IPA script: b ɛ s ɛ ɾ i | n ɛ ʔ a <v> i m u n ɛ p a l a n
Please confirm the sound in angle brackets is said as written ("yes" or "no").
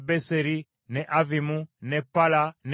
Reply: yes